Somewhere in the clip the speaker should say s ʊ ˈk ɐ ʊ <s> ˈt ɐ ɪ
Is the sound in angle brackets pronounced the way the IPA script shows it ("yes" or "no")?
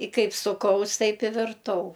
yes